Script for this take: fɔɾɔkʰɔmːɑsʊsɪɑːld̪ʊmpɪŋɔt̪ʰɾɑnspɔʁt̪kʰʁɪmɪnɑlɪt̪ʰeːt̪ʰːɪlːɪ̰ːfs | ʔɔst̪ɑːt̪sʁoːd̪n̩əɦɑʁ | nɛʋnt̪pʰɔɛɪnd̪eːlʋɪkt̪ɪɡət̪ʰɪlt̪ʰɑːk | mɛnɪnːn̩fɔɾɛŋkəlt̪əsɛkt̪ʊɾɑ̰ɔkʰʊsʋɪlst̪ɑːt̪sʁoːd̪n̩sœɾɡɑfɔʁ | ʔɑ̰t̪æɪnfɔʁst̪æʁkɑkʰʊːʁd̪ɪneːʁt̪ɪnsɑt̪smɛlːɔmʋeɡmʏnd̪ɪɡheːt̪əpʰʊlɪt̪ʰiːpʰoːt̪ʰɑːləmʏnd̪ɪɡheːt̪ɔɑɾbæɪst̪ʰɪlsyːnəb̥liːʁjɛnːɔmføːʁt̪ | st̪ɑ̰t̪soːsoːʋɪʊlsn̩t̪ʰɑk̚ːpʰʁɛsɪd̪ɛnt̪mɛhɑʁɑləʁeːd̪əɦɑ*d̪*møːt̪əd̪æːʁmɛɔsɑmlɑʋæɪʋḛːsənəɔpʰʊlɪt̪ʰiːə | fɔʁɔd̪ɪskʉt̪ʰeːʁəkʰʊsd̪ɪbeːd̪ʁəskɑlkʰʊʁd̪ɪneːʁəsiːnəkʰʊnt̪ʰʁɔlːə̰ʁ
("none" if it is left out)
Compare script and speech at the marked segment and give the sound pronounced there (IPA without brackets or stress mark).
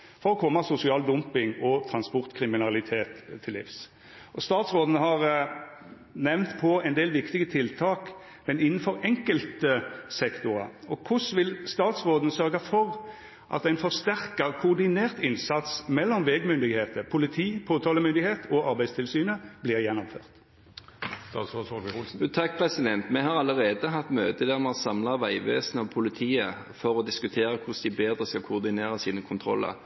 t̪